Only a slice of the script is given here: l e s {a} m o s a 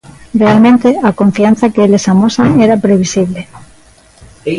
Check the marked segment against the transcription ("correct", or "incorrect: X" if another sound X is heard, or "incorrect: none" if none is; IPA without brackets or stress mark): correct